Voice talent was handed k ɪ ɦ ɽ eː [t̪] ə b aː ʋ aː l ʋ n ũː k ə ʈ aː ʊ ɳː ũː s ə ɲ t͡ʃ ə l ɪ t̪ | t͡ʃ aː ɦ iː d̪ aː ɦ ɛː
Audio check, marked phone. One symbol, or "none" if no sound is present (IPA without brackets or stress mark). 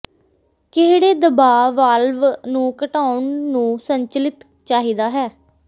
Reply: d̪